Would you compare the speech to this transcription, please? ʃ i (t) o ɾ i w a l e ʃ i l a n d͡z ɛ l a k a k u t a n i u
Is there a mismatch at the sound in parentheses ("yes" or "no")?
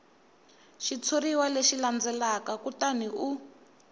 yes